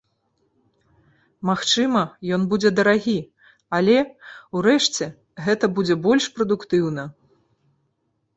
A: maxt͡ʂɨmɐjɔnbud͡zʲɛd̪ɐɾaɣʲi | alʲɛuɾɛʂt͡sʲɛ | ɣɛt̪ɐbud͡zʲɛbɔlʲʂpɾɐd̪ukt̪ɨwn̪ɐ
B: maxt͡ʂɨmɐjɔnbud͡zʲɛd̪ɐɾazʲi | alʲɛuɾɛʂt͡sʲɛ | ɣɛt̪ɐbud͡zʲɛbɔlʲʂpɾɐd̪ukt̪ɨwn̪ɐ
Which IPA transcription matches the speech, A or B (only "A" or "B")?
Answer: A